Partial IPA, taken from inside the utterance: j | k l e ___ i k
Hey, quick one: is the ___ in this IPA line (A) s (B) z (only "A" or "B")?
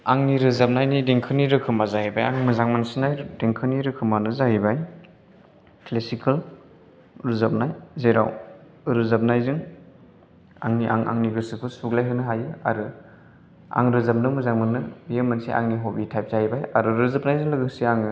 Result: A